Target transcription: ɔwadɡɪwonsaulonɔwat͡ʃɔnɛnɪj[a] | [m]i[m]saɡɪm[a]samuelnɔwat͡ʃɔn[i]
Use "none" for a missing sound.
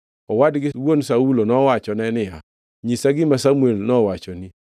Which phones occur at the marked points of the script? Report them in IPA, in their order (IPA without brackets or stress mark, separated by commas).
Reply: a, ɲ, none, a, i